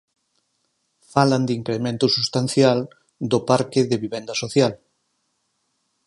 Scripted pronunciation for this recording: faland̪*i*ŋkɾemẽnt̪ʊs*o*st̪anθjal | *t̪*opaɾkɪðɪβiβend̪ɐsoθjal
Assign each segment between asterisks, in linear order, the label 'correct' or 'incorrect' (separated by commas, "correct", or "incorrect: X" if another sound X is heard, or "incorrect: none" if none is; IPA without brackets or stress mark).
correct, incorrect: u, incorrect: d̪